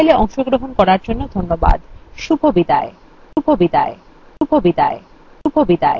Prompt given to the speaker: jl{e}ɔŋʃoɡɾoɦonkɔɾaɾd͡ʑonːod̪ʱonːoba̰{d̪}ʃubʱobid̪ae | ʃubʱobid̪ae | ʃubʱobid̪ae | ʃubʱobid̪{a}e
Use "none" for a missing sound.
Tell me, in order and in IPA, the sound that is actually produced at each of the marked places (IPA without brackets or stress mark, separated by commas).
e, d̪, a